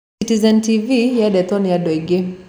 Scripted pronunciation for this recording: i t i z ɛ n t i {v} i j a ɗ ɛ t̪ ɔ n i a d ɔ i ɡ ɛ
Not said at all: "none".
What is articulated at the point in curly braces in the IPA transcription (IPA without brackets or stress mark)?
v